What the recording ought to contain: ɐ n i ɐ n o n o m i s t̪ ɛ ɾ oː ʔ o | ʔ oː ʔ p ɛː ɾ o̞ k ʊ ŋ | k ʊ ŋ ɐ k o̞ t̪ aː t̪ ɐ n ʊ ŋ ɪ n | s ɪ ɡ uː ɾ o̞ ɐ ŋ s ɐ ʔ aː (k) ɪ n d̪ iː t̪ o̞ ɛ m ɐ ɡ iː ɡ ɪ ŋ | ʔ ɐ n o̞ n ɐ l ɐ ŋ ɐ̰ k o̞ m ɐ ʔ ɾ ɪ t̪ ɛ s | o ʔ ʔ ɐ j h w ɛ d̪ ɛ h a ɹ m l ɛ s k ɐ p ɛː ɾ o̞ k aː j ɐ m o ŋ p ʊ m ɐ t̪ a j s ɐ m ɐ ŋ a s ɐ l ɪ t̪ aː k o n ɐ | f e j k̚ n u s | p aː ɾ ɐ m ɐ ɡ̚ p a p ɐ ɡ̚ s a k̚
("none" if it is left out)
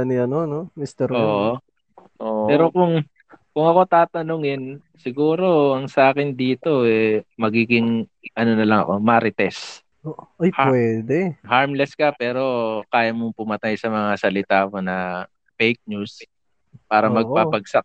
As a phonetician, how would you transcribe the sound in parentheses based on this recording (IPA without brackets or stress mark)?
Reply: k